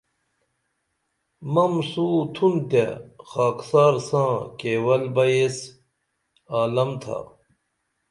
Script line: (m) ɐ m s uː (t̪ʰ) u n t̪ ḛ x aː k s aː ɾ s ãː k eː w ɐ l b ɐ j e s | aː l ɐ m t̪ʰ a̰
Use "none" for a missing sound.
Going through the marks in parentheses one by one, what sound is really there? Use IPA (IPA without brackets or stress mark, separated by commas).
m, t̪ʰ